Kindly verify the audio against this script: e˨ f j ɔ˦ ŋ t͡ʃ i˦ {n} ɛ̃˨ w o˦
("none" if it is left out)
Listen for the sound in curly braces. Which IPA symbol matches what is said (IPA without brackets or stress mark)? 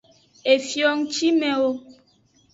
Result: m